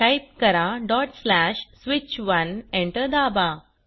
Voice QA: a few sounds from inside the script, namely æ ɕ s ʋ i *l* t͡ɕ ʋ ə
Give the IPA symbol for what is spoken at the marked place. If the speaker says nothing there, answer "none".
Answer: none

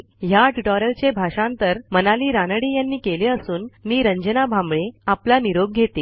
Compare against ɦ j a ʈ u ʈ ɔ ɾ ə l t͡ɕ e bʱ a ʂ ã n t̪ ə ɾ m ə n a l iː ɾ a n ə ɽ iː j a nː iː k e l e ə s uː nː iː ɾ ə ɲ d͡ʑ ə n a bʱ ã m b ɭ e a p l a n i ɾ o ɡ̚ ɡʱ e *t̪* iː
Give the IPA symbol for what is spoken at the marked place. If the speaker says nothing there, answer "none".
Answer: t̪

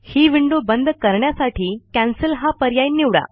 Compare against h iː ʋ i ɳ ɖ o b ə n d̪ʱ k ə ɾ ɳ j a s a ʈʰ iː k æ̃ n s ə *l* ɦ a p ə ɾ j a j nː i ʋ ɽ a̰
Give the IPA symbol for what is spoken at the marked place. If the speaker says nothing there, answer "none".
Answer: l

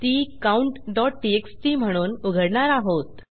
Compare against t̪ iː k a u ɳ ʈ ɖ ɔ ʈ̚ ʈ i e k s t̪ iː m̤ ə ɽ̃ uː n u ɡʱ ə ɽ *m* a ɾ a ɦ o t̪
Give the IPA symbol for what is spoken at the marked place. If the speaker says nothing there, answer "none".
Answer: ɳ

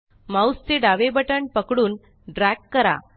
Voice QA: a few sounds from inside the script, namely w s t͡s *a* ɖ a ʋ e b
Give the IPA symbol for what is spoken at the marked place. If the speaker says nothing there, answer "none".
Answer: e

